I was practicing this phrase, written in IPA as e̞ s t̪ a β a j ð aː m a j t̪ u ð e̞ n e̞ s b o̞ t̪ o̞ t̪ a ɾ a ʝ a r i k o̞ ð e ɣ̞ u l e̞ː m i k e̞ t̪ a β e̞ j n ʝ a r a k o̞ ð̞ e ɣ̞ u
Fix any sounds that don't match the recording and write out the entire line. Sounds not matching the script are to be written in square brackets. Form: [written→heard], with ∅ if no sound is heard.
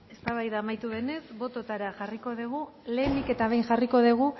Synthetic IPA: e̞ s t̪ a β a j ð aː m a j t̪ u ð e̞ n e̞ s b o̞ t̪ o̞ t̪ a ɾ a ʝ a r i k o̞ ð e ɣ̞ u l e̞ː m i k e̞ t̪ a β e̞ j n ʝ a r [a→i] k o̞ ð̞ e ɣ̞ u